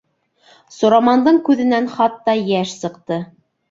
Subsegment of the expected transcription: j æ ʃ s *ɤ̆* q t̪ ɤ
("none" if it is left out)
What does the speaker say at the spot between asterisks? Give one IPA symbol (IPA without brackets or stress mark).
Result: ɤ̆